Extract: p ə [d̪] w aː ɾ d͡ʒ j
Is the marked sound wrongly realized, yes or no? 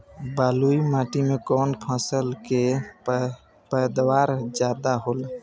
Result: no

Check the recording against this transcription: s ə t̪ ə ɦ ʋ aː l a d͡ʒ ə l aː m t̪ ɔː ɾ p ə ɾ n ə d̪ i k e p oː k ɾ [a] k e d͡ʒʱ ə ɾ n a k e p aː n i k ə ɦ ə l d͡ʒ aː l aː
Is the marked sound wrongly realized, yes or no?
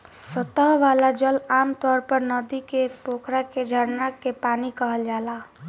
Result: no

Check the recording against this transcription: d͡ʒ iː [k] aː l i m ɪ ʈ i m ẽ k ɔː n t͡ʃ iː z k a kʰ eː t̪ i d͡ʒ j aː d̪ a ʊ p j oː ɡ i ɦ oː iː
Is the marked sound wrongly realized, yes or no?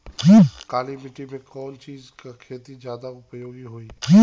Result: no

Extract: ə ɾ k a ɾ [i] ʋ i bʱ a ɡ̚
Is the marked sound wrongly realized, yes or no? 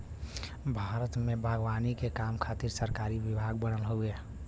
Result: no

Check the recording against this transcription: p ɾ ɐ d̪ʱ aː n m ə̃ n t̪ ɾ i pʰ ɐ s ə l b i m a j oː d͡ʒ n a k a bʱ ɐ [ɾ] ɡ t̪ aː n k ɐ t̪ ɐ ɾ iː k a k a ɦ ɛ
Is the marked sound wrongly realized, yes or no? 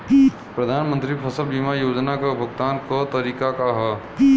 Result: yes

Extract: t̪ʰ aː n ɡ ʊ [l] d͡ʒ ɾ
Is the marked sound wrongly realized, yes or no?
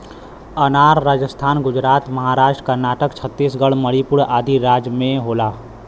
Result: yes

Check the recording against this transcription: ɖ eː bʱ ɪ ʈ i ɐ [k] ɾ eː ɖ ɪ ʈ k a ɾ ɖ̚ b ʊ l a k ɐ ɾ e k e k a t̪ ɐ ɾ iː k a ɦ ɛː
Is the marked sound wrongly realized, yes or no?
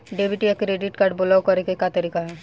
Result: no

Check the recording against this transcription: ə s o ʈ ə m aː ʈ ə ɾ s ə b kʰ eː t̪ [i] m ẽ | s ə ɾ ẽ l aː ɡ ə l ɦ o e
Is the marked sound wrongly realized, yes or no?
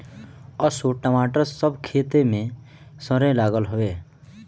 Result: yes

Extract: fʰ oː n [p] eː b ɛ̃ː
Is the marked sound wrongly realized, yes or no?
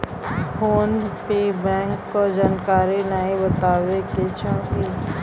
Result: no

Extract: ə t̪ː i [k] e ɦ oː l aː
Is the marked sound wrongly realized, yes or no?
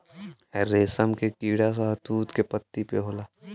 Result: yes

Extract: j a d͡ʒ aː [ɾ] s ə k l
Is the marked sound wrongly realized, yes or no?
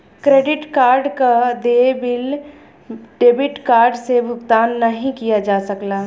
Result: yes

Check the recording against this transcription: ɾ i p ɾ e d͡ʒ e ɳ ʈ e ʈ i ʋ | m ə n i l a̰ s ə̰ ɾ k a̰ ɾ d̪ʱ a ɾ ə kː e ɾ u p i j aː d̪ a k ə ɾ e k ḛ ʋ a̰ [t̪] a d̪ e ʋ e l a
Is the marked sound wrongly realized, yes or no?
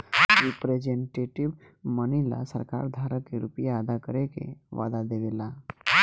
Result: yes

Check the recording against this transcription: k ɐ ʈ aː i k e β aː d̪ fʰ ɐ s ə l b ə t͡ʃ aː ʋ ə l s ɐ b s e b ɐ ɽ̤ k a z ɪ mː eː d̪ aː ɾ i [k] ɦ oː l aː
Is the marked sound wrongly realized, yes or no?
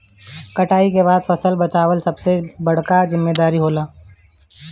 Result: yes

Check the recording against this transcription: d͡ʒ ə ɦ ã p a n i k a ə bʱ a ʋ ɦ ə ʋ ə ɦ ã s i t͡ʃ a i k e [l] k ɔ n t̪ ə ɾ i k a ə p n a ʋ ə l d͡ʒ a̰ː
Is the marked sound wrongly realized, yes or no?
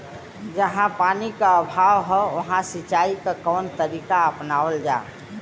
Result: yes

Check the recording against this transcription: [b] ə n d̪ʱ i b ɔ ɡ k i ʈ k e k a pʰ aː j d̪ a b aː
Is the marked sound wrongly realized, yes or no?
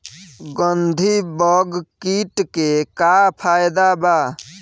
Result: yes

